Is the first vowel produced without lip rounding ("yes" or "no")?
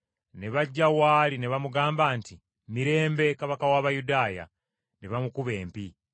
yes